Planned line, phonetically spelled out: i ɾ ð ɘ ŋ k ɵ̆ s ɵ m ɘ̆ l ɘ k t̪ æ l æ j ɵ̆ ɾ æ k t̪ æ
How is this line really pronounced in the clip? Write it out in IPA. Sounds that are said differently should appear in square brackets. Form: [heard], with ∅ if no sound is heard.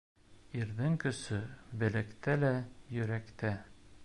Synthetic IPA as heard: i ɾ ð ɘ ŋ k ɵ̆ s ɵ [b] ɘ̆ l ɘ k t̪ æ l æ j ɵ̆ ɾ æ k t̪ æ